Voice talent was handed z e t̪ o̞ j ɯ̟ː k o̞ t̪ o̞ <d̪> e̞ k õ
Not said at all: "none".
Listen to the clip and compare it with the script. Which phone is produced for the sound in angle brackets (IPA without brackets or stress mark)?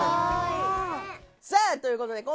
d̪